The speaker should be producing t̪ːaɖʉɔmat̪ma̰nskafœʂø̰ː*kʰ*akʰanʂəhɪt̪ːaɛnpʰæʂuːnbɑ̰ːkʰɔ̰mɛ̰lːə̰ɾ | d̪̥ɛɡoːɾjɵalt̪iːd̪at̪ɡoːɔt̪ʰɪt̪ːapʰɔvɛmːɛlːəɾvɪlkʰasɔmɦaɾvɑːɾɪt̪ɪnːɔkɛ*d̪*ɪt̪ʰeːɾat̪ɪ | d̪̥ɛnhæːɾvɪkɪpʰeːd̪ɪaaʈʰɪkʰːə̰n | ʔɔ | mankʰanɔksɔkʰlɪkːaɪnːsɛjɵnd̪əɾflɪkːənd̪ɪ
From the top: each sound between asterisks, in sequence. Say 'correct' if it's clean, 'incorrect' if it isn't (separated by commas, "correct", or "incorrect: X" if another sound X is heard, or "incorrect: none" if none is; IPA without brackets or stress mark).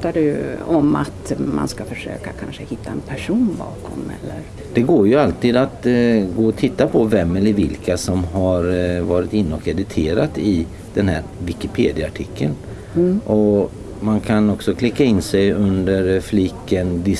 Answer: incorrect: k, correct